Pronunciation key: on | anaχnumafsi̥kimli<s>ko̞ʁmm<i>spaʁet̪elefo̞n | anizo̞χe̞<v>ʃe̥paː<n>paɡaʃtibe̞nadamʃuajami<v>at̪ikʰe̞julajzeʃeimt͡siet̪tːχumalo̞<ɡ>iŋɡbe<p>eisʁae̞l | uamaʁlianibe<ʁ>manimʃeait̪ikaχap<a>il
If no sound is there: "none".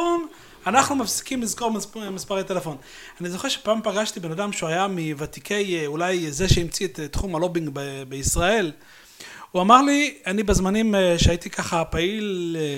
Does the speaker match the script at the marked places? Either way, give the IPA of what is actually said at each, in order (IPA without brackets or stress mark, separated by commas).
z, i, ʁ, m, v, b, b, z, a